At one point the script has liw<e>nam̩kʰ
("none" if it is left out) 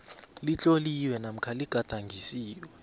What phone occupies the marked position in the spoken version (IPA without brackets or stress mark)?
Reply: ɛ